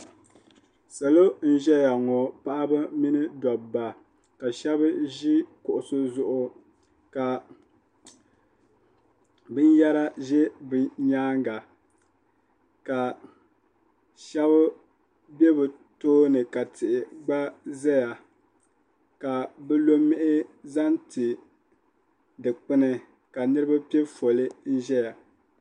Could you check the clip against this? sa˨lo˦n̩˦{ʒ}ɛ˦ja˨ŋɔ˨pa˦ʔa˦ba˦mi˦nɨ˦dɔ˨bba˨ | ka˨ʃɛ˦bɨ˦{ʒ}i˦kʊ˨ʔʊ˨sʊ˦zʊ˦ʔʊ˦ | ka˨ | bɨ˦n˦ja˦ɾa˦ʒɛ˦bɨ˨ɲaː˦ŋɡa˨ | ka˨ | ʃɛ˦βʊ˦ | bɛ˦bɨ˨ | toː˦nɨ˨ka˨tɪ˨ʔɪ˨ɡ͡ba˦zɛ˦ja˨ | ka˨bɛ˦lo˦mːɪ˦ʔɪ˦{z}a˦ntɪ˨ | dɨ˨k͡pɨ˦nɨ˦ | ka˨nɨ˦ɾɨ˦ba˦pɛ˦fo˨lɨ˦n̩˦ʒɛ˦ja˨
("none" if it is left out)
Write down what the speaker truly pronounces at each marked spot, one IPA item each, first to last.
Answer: ʒ, ʒ, z

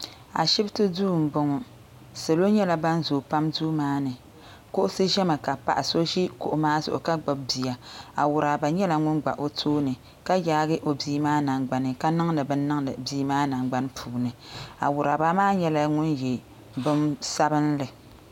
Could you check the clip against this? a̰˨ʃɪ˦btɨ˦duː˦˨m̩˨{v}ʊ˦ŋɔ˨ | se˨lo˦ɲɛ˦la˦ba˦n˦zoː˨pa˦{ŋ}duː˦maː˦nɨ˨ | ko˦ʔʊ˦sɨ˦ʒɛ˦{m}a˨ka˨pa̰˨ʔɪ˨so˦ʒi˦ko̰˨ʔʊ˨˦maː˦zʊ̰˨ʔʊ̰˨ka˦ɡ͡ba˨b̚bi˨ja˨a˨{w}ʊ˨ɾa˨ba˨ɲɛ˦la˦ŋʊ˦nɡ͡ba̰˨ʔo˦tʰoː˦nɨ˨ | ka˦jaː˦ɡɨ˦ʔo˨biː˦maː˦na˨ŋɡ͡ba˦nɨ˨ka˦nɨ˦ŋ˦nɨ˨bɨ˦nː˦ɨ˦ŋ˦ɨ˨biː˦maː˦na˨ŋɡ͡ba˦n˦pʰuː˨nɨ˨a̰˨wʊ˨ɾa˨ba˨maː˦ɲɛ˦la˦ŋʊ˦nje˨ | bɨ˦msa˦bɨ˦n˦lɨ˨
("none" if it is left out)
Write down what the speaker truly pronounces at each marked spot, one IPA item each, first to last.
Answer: b, m, m, w

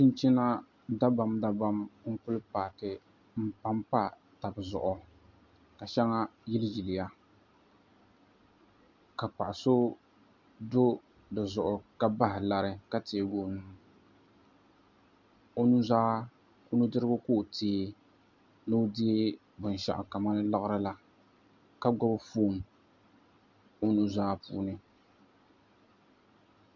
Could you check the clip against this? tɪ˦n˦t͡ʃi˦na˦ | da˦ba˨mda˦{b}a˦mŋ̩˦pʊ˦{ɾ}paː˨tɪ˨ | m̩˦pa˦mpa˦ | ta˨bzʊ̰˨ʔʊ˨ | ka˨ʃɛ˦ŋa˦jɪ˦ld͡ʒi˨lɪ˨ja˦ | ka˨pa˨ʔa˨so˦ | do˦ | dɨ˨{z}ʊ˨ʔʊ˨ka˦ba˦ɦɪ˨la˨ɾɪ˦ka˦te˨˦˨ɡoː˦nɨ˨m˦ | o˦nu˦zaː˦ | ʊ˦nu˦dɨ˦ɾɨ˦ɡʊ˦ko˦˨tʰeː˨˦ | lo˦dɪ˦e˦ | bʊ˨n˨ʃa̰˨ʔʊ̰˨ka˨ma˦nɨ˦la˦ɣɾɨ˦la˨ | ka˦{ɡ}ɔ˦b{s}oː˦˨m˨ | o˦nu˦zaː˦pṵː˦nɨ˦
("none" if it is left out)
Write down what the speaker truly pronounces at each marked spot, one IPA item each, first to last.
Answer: b, l, z, ɡ, f

